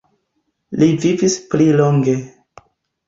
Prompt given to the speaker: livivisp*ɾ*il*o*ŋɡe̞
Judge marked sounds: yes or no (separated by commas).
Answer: no, yes